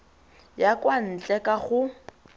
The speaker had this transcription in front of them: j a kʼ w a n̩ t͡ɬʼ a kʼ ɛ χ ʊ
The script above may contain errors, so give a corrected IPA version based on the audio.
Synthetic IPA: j a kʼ w a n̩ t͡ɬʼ ɛ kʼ a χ ʊ